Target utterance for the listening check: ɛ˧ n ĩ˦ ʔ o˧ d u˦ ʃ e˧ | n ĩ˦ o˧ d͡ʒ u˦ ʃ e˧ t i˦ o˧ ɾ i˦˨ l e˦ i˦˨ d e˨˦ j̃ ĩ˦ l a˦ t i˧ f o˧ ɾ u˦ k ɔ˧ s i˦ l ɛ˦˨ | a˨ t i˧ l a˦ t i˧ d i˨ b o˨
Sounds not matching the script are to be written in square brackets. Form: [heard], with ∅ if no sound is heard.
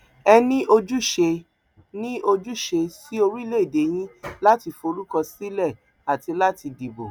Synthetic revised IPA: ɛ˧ n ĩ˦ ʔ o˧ [d͡ʒ] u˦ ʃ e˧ | n ĩ˦ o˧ d͡ʒ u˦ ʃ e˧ [s] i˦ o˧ ɾ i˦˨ l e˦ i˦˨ d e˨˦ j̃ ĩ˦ l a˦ t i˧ f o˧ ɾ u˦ k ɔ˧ s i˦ l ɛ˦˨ | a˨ t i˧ l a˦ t i˧ d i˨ b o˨